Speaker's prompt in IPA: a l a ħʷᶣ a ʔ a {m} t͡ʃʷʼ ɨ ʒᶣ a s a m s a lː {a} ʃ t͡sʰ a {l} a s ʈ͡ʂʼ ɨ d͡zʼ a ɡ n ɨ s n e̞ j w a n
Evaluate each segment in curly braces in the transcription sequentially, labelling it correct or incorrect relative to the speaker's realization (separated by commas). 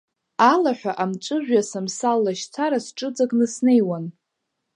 correct, correct, incorrect